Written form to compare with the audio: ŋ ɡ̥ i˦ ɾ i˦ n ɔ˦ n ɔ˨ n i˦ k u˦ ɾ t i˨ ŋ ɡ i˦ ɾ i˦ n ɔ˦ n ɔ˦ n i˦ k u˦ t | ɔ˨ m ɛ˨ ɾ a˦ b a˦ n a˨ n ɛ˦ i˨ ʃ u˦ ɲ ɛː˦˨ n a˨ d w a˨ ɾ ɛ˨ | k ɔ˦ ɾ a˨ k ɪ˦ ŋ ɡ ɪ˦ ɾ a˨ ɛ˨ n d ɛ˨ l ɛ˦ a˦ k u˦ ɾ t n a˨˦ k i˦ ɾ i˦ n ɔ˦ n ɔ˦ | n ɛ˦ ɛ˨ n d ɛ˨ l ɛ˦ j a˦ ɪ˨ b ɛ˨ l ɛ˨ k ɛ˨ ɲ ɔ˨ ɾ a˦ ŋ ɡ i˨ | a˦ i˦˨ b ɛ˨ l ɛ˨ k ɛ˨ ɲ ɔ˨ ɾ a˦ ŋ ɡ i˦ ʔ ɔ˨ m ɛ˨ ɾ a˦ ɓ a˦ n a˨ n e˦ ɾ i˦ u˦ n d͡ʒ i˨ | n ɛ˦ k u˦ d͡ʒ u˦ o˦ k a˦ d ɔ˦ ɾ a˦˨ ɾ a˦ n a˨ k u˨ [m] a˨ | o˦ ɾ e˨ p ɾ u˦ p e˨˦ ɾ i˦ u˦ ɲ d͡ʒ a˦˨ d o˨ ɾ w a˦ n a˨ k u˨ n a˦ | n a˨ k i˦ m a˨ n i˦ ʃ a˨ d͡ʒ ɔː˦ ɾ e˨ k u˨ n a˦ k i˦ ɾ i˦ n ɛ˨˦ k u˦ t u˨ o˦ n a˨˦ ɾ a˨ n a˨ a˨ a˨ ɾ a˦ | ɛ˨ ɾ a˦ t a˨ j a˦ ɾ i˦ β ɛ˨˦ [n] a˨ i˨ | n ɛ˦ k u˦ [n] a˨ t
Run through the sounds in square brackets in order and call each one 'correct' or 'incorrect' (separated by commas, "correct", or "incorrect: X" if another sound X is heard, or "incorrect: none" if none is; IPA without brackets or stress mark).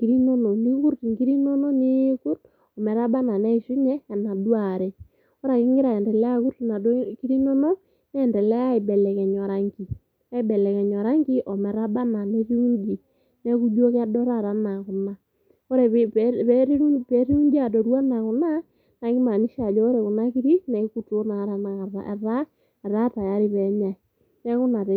incorrect: n, incorrect: ɲ, correct